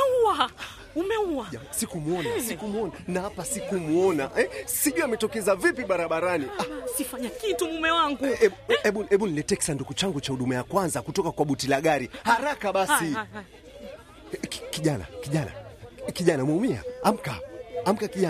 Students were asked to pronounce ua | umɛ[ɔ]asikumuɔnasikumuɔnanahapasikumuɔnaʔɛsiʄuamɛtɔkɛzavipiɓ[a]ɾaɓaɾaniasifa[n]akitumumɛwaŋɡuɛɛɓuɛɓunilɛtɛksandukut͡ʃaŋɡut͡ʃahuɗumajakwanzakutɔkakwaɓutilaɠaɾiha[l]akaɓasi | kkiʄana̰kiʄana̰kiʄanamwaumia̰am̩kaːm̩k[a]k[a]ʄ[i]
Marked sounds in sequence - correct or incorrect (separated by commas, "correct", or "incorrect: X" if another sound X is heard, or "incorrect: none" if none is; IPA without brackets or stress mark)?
incorrect: u, correct, incorrect: ɲ, incorrect: ɾ, correct, incorrect: i, incorrect: a